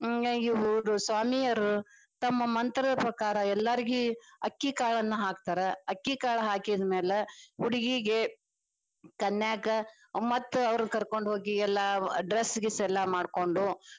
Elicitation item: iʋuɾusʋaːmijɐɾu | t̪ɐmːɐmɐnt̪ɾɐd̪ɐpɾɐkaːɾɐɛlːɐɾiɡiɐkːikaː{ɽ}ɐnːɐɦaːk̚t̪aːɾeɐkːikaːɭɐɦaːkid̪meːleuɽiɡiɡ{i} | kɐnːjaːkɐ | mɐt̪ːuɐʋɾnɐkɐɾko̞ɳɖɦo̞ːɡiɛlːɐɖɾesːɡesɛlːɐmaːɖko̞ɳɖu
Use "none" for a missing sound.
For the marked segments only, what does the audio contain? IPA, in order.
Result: ɭ, e

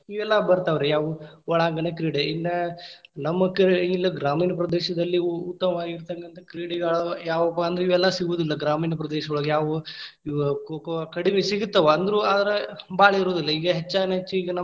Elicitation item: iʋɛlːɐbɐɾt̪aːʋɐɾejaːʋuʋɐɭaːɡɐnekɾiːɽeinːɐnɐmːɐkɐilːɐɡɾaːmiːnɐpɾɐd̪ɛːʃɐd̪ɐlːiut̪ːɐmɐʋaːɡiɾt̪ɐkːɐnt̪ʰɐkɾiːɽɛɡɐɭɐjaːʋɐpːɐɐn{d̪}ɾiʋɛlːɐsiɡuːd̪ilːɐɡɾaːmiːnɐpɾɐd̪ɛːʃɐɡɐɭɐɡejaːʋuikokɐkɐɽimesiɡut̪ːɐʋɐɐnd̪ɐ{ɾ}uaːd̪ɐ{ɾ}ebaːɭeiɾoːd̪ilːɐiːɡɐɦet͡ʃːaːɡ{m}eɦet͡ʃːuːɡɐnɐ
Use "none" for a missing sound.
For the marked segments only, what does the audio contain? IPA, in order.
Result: d̪, ɾ, ɾ, n

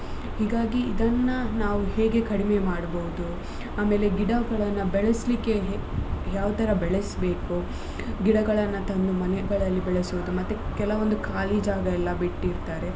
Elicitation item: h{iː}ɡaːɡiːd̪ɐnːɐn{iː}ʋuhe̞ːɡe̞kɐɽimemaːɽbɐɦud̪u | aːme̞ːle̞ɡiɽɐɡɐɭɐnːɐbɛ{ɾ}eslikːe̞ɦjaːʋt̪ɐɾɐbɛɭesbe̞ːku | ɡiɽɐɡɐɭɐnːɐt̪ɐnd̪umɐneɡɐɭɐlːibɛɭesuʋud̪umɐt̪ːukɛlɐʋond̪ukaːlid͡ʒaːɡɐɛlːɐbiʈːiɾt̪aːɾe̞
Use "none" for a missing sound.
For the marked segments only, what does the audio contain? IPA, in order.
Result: iː, aː, ɭ

